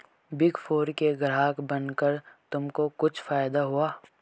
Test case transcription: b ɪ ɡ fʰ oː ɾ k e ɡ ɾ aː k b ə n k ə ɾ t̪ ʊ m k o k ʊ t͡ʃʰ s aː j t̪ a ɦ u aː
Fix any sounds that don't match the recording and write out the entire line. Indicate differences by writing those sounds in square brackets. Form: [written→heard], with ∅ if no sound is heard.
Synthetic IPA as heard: b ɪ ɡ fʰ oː ɾ k e ɡ ɾ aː k b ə n k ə ɾ t̪ ʊ m k o k ʊ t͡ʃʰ [s→f] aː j [t̪→d̪] a ɦ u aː

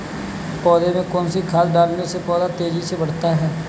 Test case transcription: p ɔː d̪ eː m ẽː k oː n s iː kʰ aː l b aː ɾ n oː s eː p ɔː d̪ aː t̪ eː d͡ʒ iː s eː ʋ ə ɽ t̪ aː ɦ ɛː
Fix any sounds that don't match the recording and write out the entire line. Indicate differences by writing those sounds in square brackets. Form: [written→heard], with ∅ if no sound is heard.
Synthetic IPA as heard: p ɔː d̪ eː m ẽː k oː n s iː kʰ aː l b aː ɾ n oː s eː p ɔː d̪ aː t̪ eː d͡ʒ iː s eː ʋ ə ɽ t̪ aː ɦ ɛː

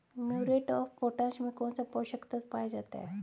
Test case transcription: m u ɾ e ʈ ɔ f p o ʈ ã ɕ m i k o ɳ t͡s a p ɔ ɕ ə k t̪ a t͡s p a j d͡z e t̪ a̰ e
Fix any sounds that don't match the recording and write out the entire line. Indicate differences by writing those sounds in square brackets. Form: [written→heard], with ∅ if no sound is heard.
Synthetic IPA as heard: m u ɾ e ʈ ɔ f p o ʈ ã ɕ m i k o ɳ t͡s a p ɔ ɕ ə k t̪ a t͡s p a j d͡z [e→a] t̪ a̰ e

